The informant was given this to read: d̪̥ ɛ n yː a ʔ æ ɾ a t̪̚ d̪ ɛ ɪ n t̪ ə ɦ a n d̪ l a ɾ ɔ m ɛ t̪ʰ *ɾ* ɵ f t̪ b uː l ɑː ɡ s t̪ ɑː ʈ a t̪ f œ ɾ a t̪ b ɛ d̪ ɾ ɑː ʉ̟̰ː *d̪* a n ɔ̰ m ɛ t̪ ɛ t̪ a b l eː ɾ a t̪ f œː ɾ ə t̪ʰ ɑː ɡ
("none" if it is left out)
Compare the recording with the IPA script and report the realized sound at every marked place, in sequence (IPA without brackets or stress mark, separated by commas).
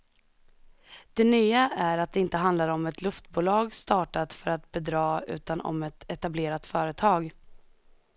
l, t̪